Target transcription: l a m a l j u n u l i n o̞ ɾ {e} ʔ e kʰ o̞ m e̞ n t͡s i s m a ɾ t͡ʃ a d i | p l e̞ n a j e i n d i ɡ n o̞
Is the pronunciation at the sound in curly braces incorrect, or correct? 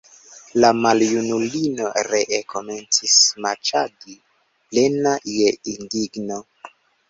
correct